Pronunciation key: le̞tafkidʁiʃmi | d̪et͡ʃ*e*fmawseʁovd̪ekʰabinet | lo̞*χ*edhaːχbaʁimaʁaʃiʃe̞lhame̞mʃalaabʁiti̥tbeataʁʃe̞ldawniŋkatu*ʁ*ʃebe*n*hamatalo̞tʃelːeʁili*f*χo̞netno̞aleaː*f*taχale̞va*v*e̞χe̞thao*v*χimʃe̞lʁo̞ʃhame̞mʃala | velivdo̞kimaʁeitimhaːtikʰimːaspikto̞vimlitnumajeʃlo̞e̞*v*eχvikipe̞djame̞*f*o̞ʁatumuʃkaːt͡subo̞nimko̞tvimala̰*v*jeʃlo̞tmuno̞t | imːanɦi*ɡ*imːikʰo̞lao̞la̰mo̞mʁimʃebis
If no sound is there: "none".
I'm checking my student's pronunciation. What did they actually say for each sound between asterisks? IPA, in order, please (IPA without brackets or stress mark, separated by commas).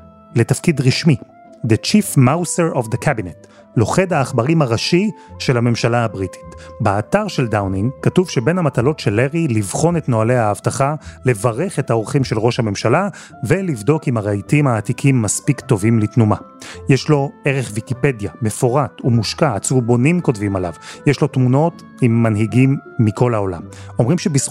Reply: i, χ, v, n, v, v, ʁ, ʁ, ʁ, f, v, ɡ